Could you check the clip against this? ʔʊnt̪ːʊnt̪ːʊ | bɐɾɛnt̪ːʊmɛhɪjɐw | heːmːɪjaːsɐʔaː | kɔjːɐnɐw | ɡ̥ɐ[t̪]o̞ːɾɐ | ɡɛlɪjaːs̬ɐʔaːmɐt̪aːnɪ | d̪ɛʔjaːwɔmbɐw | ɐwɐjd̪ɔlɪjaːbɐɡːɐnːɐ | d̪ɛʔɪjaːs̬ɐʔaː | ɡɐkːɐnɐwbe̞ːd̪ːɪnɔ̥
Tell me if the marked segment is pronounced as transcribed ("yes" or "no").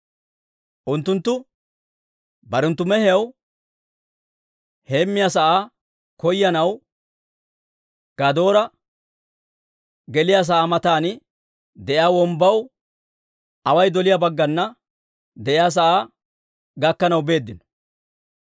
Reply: no